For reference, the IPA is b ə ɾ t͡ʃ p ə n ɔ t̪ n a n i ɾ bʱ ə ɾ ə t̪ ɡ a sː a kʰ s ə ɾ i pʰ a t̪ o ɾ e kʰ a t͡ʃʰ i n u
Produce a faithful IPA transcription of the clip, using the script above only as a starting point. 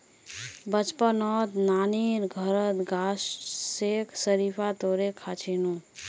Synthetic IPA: b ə t͡ʃ p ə n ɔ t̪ n a n i ɾ ɡʱ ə ɾ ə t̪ ɡ a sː e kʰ s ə ɾ i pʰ a t̪ o ɾ e kʰ a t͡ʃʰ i n u